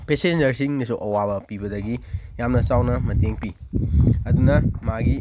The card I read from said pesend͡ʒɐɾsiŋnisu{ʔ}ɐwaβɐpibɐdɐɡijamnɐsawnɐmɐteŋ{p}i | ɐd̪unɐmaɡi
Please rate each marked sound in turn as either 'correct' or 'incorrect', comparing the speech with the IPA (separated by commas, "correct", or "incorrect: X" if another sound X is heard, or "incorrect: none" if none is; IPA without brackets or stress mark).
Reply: correct, correct